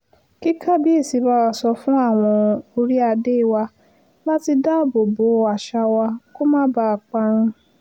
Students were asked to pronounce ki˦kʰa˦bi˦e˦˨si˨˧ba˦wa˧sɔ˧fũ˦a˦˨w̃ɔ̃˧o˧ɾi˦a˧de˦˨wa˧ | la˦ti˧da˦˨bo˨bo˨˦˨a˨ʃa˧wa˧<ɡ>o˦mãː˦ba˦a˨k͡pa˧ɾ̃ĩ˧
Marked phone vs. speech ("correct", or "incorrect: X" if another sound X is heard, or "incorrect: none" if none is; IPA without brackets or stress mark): incorrect: k